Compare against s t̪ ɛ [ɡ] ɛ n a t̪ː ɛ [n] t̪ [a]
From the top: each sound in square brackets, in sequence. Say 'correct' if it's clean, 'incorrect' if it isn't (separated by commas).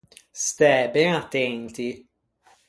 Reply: incorrect, correct, incorrect